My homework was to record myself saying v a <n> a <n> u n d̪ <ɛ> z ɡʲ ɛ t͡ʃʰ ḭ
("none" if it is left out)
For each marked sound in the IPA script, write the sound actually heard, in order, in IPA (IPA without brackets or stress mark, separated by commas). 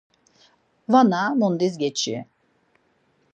n, m, i